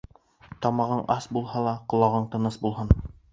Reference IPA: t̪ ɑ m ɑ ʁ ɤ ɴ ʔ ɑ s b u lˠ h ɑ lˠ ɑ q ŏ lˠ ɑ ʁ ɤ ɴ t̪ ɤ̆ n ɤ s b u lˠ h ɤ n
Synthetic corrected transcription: t̪ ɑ m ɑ ʁ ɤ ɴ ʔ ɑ s b u lˠ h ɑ lˠ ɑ q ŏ lˠ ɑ ʁ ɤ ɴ t̪ ɤ̆ n ɤ s b u lˠ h ɤ n